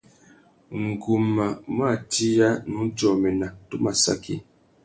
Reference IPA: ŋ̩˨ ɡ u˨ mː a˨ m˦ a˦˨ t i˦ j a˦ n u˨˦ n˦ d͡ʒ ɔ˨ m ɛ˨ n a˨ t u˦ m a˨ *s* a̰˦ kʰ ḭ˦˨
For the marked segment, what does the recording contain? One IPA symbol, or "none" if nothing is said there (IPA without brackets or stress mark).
s